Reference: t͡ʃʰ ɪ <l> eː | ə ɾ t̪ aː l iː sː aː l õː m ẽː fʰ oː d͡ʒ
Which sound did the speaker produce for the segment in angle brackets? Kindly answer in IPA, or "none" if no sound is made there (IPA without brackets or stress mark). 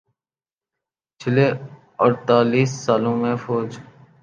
l